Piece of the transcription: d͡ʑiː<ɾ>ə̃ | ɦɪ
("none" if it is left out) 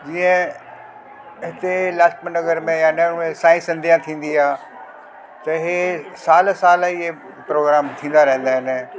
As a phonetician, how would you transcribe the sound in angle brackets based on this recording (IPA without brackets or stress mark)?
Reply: none